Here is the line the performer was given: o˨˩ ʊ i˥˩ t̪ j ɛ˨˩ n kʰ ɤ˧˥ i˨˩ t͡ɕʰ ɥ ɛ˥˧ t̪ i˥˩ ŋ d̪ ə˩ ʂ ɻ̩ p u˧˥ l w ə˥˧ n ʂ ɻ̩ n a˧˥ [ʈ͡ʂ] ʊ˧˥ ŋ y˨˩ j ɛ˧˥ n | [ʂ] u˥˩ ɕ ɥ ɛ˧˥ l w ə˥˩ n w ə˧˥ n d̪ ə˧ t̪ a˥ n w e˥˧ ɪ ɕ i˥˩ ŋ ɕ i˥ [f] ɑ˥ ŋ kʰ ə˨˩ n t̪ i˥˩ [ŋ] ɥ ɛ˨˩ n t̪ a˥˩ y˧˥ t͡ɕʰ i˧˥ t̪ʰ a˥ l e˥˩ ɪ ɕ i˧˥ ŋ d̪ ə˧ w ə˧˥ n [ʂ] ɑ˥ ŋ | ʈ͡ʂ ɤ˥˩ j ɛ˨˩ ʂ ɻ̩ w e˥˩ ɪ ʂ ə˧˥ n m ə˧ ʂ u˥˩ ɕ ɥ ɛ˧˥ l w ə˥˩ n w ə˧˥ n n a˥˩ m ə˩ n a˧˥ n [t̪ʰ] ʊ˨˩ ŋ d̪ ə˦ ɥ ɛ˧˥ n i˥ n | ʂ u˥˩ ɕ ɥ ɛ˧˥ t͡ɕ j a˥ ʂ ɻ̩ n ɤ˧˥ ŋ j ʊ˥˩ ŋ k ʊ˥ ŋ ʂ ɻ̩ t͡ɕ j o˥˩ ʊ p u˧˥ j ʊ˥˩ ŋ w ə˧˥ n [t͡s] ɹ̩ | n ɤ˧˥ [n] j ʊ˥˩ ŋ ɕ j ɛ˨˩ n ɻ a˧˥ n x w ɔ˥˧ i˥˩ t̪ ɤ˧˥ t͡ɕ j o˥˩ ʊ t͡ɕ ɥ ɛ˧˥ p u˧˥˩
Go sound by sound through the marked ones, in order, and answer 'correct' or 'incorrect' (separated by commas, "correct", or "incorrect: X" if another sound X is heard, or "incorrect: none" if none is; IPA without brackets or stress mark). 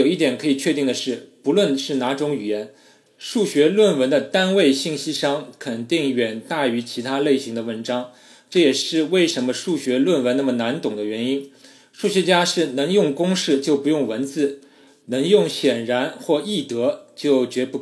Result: correct, correct, incorrect: ʂ, correct, incorrect: ʈ͡ʂ, incorrect: t̪, correct, incorrect: ŋ